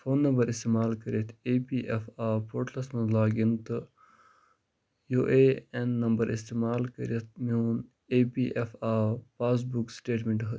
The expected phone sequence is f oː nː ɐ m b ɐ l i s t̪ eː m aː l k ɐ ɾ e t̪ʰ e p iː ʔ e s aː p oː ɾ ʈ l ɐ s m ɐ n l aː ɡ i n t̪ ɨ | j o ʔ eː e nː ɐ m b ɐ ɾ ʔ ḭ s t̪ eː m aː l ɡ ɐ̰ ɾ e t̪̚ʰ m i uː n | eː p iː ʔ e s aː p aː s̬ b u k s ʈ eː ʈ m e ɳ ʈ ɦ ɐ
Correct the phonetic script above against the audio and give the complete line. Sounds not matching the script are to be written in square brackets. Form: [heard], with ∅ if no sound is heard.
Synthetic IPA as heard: f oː nː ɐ m b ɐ [ɾ] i s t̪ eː m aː l k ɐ ɾ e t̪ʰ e p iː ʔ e [f] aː p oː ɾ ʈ l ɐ s m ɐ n l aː ɡ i n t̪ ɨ | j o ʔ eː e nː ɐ m b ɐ ɾ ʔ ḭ s t̪ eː m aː l [k] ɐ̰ ɾ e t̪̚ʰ m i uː n | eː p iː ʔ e [f] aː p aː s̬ b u k s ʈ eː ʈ m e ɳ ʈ ɦ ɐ